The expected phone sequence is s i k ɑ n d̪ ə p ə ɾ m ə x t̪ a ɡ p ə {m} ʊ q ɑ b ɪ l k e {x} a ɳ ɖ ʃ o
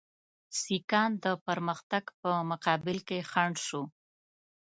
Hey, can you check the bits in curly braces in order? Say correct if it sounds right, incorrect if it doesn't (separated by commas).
correct, correct